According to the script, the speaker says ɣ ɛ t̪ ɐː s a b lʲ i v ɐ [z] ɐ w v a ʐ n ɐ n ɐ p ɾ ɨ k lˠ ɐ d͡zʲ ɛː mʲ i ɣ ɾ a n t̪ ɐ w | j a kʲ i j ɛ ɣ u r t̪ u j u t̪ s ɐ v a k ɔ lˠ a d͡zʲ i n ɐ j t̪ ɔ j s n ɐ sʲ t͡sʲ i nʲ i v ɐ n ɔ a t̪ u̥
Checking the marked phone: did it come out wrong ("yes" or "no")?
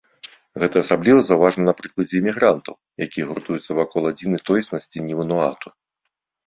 no